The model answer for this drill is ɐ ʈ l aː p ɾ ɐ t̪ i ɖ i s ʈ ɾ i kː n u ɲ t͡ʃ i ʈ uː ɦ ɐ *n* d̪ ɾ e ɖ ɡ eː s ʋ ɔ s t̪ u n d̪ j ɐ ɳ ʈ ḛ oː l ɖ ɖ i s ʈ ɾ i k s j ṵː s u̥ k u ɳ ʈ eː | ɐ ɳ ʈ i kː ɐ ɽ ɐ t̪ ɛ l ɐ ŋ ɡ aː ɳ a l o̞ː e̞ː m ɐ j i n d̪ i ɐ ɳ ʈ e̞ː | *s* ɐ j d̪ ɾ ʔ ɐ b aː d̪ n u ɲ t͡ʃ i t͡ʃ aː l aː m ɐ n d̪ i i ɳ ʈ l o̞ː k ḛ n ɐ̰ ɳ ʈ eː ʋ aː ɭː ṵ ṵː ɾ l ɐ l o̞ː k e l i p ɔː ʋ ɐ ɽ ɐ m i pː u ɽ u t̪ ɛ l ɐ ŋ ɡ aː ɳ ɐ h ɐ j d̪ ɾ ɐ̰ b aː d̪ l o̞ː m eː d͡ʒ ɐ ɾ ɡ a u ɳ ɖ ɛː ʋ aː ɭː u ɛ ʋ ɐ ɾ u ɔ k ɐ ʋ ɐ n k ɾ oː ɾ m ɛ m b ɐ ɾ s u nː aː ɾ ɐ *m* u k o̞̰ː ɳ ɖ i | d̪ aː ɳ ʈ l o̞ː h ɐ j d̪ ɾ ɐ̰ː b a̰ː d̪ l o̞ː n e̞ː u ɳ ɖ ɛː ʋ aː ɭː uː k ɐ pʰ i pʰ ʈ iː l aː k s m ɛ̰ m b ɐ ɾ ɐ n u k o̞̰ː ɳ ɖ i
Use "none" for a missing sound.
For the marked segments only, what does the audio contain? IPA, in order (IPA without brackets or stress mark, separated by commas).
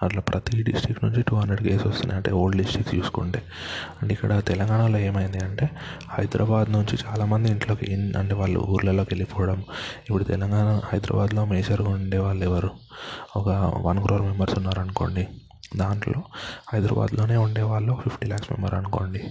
n, h, n